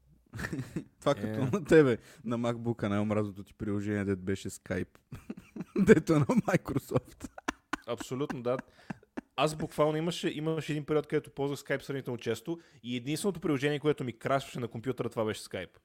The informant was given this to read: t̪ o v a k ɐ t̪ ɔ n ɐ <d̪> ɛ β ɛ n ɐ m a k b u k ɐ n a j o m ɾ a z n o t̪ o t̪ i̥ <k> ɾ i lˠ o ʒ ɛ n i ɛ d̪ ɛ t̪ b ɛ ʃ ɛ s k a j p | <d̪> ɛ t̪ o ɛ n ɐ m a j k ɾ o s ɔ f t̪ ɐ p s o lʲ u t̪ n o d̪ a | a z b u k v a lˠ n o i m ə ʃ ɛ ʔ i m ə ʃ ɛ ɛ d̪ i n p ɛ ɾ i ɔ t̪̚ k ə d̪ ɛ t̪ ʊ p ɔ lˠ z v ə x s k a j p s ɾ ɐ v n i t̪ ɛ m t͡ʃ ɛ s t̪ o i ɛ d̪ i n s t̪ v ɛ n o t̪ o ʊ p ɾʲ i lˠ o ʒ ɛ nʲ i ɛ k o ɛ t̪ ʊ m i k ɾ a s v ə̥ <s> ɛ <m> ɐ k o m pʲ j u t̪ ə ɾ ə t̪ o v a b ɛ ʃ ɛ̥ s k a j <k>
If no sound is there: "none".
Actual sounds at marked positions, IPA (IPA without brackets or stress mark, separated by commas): t̪, p, d̪, ʃ, n, p